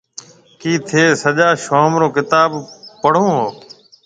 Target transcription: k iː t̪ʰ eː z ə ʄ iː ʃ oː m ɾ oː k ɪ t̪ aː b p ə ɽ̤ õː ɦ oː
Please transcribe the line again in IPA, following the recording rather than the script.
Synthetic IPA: k iː t̪ʰ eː s ə ʄ aː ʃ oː m ɾ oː k ɪ t̪ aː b p ə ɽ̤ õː ɦ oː